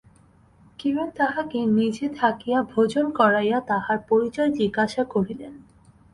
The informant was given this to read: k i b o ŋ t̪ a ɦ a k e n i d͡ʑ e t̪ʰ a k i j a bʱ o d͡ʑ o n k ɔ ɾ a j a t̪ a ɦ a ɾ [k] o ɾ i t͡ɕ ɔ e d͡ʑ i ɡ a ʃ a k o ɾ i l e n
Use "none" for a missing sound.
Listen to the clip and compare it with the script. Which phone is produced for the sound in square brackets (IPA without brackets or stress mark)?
p